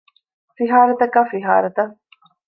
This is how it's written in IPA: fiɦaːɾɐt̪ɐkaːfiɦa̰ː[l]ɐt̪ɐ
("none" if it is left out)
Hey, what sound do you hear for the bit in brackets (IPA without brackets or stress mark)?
ɾ